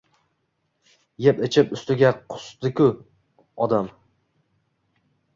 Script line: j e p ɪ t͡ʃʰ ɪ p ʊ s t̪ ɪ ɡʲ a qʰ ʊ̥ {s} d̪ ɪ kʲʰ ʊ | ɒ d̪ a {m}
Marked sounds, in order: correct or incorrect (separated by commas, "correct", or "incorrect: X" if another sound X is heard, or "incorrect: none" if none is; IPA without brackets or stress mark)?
correct, correct